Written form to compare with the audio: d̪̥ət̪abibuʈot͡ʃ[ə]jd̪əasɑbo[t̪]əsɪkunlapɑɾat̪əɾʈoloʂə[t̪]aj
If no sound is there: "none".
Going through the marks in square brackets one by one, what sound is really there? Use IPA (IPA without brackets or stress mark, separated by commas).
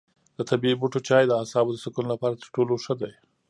ɑ, d̪, d̪